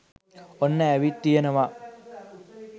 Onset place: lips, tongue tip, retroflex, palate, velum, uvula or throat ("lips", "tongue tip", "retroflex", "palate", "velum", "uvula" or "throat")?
tongue tip